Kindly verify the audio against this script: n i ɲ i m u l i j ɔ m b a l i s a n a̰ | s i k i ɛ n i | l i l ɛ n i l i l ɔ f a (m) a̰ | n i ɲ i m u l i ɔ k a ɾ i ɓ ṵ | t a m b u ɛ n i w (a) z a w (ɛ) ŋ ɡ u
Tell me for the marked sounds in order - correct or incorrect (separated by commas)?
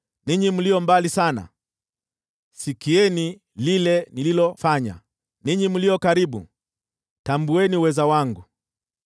incorrect, incorrect, incorrect